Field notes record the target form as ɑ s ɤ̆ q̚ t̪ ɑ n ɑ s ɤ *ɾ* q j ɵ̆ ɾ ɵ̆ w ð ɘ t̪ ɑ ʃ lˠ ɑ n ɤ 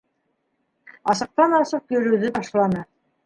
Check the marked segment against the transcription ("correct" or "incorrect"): incorrect